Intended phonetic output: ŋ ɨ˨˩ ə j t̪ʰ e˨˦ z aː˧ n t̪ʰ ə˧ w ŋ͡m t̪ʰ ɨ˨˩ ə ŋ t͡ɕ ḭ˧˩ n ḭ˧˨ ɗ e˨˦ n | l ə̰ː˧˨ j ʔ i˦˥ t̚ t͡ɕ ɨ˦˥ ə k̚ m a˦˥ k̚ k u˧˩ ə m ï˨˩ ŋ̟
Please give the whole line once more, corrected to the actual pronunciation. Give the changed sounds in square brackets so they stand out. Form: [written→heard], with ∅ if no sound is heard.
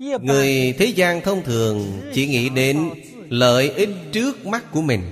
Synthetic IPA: ŋ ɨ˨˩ ə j t̪ʰ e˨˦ z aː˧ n t̪ʰ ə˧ w ŋ͡m t̪ʰ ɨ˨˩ ə ŋ t͡ɕ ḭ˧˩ [n→ŋ] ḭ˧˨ ɗ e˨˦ n | l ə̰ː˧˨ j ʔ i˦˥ t̚ t͡ɕ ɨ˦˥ ə k̚ m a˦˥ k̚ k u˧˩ ə m ï˨˩ ŋ̟